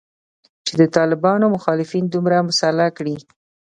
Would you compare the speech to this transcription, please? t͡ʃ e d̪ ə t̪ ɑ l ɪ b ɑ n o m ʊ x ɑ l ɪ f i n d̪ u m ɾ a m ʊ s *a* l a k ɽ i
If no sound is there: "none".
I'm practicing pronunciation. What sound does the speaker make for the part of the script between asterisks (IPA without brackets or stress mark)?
a